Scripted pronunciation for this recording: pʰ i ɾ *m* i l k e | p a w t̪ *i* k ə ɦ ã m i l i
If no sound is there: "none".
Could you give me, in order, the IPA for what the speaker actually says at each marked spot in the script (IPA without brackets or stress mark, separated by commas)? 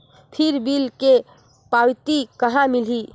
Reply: b, i